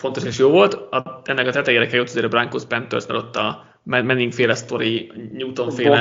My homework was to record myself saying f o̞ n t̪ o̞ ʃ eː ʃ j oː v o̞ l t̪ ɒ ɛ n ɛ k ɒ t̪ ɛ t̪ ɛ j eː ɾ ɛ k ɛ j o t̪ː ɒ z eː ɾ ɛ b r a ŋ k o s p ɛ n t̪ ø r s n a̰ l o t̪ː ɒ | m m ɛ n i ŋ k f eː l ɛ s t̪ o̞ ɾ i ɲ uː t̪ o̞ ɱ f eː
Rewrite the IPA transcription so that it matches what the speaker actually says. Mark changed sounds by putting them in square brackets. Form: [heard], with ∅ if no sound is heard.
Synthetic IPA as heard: f o̞ n t̪ o̞ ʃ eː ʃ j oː v o̞ l t̪ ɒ ɛ [nː] ɛ k ɒ t̪ ɛ t̪ ɛ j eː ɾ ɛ k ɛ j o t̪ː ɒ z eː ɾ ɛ b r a ŋ k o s p ɛ n t̪ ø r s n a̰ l o t̪ː ɒ | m m ɛ n i ŋ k f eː l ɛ s t̪ o̞ ɾ i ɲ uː t̪ o̞ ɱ f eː